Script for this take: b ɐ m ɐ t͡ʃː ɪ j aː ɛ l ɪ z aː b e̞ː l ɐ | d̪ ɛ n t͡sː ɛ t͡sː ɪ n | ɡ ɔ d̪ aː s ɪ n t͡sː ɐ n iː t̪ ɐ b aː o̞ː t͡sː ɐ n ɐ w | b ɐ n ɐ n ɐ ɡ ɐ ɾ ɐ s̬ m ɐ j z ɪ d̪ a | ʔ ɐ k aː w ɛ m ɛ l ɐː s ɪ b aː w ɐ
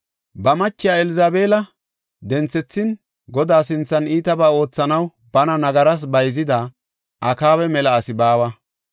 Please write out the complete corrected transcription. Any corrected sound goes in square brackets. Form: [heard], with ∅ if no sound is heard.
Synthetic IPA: b ɐ m ɐ t͡ʃː ɪ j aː ɛ l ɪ z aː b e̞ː l ɐ | d̪ ɛ n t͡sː ɛ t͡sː ɪ n | ɡ ɔ d̪ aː s ɪ n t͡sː ɐ n iː t̪ ɐ b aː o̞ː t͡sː ɐ n ɐ w | b ɐ n ɐ n ɐ ɡ ɐ ɾ ɐ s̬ [b] ɐ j z ɪ d̪ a | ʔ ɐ k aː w ɛ m ɛ l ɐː s ɪ b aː w ɐ